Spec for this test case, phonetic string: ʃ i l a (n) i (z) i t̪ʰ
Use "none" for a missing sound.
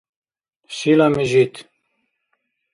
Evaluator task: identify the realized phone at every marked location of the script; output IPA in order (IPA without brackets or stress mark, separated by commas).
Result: m, ʒ